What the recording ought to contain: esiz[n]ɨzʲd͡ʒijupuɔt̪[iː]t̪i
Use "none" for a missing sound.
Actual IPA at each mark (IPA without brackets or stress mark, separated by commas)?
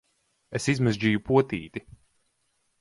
m, iː